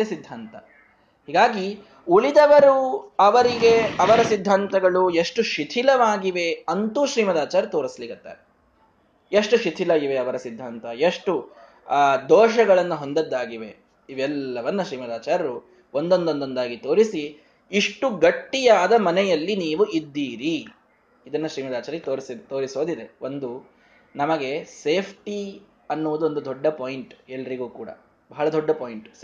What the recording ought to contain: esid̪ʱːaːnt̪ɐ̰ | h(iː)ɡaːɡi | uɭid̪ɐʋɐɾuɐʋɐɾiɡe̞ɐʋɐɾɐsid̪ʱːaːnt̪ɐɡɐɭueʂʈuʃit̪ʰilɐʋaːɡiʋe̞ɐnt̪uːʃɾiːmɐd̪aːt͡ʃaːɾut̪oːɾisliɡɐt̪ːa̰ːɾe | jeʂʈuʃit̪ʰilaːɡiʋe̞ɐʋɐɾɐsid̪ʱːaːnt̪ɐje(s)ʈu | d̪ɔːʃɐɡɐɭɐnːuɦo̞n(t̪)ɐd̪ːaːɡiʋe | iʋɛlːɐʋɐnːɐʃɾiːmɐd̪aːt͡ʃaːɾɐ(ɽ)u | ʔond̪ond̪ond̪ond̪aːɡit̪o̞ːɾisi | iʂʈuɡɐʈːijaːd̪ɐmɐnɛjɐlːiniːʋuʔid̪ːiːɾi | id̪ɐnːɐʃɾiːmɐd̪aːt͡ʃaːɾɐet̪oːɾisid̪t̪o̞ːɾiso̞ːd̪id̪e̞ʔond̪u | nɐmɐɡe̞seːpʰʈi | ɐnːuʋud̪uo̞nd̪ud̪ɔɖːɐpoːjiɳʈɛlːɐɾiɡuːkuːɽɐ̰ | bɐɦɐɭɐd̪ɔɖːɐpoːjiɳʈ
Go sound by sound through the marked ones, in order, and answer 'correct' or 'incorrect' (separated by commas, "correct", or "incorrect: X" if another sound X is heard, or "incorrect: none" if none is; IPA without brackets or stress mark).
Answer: correct, incorrect: ʂ, incorrect: d̪, incorrect: ɾ